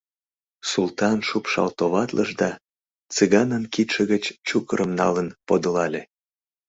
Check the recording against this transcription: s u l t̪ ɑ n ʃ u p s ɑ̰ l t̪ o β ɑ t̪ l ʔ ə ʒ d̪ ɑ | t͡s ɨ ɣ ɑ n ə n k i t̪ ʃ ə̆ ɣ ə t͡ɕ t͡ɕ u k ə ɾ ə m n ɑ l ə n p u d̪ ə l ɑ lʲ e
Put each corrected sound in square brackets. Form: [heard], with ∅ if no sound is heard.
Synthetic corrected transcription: s u l t̪ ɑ n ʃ u p [ʃ] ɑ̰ l t̪ o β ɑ t̪ l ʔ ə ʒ d̪ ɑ | t͡s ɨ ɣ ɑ n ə n k i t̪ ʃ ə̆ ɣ ə t͡ɕ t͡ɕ u k ə ɾ ə m n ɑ l ə n p [o] d̪ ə l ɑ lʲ e